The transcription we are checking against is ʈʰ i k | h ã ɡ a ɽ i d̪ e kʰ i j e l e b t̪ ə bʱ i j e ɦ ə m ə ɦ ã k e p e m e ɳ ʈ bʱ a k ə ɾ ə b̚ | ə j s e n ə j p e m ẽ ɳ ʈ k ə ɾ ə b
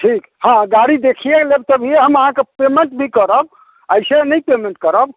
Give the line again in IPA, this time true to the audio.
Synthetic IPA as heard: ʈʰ i k | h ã ɡ a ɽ i d̪ e kʰ i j e l e b t̪ ə bʱ i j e ɦ ə m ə ɦ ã k e p e m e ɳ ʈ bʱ i k ə ɾ ə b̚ | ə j s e n ə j p e m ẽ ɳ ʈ k ə ɾ ə b

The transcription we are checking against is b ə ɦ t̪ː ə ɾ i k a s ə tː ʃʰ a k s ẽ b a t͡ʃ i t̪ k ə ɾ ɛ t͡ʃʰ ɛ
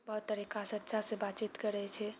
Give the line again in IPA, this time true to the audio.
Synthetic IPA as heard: b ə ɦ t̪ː ə ɾ i k a s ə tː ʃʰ a s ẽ b a t͡ʃ i t̪ k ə ɾ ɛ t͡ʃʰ ɛ

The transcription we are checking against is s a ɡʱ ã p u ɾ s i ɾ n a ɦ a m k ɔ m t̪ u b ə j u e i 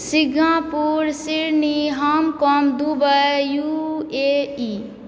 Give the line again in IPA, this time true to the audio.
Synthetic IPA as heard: s i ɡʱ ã p u ɾ s i ɾ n i ɦ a m k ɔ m d̪ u b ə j u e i

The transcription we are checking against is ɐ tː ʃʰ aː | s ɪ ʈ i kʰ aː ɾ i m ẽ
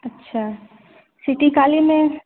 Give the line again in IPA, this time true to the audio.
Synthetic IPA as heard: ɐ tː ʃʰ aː | s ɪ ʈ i k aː l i m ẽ

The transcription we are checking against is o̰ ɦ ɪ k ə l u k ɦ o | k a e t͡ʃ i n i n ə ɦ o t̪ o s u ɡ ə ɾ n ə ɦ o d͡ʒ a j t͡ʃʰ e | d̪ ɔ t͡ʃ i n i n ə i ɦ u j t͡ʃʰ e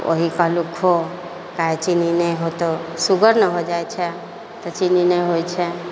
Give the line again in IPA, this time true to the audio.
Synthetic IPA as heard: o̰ ɦ i k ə l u k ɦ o | k a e t͡ʃ i n i n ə ɦ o t̪ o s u ɡ ə ɾ n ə ɦ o d͡ʒ a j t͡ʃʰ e | t̪ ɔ t͡ʃ i n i n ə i ɦ o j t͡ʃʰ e

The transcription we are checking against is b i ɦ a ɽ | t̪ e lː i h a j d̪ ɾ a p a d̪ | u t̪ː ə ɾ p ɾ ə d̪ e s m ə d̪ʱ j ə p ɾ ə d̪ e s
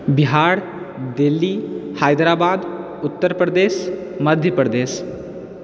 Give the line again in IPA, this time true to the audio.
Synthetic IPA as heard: b i ɦ a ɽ | d̪ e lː i h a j d̪ ɾ a b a d̪ | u t̪ː ə ɾ p ɾ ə d̪ e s m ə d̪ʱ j ə p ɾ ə d̪ e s

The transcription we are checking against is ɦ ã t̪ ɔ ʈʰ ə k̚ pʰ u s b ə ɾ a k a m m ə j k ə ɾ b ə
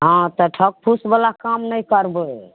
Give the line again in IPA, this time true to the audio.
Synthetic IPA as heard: ɦ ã t̪ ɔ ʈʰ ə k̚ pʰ u s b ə l a k a m n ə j k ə ɾ b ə

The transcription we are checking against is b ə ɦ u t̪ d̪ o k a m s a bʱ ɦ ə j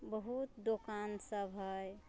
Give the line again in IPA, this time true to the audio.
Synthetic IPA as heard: b ə ɦ u t̪ d̪ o k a n s ə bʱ ɦ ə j

